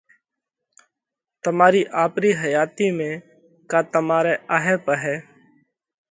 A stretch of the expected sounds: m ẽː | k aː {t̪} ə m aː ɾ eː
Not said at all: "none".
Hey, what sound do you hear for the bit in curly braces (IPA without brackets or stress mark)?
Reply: t̪